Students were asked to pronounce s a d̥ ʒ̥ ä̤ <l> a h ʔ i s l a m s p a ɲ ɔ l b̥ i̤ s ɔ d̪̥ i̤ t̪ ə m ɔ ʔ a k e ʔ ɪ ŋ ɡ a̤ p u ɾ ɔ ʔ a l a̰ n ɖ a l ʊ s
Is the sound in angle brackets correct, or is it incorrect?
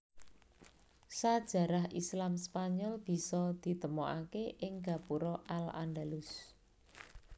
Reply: incorrect: ɾ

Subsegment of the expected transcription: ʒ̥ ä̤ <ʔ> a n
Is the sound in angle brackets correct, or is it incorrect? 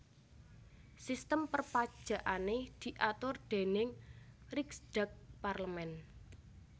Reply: correct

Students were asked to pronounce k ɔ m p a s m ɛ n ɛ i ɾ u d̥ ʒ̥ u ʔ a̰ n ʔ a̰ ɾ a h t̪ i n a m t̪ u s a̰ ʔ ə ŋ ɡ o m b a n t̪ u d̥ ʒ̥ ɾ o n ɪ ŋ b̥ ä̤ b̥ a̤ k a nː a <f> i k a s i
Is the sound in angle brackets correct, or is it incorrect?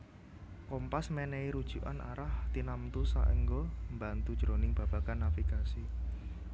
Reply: correct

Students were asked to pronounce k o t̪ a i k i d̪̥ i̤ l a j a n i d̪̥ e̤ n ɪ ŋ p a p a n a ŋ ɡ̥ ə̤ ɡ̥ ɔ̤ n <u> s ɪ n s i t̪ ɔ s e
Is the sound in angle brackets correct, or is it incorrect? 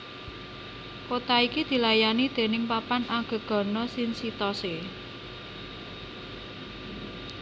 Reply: incorrect: ɔ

